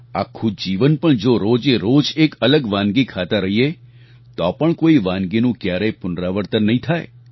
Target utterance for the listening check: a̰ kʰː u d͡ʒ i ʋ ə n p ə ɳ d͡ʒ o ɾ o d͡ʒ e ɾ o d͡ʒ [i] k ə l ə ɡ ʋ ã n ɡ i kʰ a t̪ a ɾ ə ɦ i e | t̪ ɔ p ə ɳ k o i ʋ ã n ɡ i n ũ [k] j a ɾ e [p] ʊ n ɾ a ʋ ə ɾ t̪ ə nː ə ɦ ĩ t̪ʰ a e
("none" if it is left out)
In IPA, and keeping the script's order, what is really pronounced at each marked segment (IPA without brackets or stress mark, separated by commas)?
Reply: e, k, p